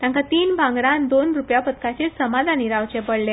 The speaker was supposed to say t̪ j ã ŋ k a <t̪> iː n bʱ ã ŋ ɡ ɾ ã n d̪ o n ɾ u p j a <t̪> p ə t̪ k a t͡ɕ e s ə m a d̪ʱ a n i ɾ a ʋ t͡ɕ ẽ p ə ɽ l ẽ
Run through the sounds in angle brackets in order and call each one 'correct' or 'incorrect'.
correct, incorrect

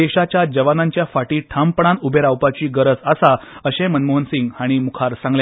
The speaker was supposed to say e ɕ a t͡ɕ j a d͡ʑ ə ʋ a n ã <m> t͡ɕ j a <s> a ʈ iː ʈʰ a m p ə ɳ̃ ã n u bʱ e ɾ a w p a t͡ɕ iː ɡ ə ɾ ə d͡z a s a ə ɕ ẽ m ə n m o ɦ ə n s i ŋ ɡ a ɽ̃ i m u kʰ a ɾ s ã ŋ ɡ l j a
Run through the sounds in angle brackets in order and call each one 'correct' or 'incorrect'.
incorrect, incorrect

